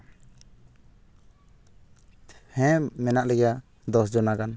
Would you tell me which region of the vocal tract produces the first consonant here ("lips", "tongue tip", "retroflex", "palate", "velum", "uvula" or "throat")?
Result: throat